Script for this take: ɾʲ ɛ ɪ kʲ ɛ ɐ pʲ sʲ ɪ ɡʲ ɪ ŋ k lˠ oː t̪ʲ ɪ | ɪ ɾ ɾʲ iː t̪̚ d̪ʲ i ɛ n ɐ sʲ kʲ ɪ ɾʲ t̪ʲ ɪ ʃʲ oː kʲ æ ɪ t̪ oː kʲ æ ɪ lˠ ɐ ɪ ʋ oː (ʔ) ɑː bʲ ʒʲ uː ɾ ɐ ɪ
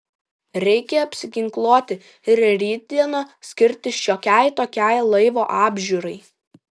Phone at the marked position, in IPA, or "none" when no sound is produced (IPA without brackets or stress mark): ʔ